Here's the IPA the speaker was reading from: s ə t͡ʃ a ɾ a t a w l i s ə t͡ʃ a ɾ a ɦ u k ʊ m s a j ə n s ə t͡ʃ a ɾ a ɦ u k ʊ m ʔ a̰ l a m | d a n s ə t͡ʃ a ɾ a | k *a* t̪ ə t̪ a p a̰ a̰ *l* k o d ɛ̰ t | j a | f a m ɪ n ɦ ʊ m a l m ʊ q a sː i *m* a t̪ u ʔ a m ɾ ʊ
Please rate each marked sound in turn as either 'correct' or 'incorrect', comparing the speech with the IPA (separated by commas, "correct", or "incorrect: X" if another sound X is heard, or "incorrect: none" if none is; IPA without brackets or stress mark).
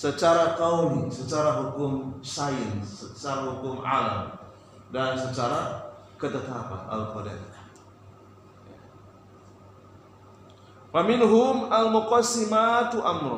incorrect: ə, correct, correct